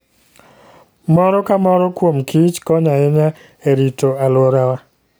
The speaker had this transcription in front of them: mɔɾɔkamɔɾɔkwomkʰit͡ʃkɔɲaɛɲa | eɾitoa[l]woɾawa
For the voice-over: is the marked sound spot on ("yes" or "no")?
yes